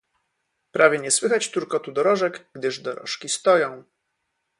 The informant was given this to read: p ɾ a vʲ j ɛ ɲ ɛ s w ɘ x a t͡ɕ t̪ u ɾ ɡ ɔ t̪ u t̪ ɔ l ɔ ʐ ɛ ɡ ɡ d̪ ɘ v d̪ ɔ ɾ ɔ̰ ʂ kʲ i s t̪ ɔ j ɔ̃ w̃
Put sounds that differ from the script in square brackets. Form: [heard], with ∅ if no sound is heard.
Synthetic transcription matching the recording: p ɾ a vʲ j ɛ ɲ ɛ s w ɘ x a t͡ɕ t̪ u ɾ [k] ɔ t̪ u [d̪] ɔ [ɾ] ɔ ʐ ɛ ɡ ɡ d̪ ɘ [ʐ] d̪ ɔ ɾ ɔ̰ ʂ kʲ i s t̪ ɔ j ɔ̃ w̃